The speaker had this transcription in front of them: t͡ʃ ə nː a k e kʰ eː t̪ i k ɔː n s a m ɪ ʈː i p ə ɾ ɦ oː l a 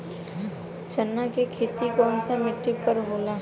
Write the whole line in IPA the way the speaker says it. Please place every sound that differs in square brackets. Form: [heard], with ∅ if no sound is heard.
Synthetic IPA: t͡ʃ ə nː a k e kʰ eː t̪ i k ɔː n s a m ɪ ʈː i p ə ɾ ɦ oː l a